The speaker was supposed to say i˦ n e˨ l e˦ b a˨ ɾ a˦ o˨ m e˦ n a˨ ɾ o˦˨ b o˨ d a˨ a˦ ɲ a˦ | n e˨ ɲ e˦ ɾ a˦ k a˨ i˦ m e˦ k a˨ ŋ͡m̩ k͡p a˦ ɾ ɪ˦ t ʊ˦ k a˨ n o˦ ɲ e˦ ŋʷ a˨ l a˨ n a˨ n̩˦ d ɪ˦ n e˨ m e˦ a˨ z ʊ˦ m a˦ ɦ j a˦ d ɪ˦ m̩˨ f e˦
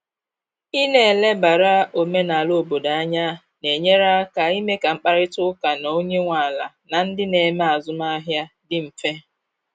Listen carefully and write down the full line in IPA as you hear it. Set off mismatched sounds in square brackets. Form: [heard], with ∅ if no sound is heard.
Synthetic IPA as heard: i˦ n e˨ l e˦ b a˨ ɾ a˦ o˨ m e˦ n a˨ [l] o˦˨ b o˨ d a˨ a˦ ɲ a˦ | n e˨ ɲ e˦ ɾ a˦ k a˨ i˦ m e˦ k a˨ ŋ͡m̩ k͡p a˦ ɾ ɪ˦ t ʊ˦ k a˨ n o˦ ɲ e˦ ŋʷ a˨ l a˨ n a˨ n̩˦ d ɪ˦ n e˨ m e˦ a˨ z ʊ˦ m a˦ ɦ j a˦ d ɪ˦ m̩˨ f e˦